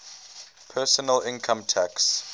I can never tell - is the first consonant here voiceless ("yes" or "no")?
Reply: yes